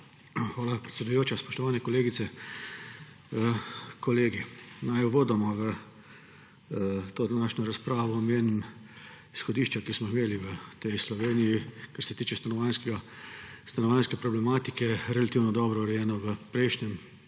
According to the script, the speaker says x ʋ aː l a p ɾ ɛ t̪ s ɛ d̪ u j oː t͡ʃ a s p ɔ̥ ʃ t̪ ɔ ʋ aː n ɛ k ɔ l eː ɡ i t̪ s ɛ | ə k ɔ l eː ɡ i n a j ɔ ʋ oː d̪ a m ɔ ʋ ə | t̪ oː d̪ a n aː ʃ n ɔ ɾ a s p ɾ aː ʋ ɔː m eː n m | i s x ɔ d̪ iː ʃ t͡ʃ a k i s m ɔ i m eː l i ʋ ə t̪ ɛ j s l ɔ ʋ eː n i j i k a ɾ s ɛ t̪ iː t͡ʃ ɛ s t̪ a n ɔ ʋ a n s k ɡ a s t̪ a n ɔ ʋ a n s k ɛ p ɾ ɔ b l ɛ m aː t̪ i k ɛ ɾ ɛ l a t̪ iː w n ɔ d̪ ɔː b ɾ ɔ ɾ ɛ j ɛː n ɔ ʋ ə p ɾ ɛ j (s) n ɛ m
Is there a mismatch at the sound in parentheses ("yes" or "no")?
yes